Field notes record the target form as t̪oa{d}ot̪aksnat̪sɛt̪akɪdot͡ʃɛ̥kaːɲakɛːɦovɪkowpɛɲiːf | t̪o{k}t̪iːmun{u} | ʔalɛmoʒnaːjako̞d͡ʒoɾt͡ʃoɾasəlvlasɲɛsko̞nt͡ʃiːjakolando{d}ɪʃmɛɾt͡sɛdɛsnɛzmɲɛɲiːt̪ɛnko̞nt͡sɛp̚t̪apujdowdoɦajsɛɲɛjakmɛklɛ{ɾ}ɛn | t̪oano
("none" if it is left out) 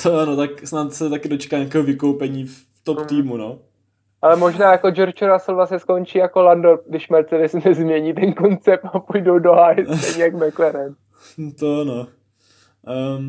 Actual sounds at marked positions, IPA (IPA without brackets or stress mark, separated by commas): n, p, o, d, ɾ